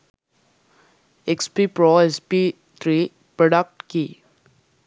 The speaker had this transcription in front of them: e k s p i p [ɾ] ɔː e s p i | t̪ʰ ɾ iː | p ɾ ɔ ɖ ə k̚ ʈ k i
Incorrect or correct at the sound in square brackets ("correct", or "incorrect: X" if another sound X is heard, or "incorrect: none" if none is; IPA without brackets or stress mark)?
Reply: correct